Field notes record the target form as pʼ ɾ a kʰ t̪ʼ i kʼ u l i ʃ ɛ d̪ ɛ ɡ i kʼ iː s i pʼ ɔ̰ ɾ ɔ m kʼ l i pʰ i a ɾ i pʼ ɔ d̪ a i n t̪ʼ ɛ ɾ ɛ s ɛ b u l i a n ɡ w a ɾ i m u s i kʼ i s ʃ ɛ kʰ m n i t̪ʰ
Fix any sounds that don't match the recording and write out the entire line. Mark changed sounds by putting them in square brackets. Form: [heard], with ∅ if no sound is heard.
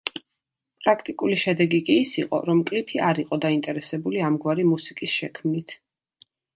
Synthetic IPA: pʼ ɾ a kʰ t̪ʼ i kʼ u l i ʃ ɛ d̪ ɛ ɡ i kʼ iː s i [qʼ] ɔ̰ ɾ ɔ m kʼ l i pʰ i a ɾ i [qʼ] ɔ d̪ a i n t̪ʼ ɛ ɾ ɛ s ɛ b u l i a [m] ɡ w a ɾ i m u s i kʼ i s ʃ ɛ kʰ m n i t̪ʰ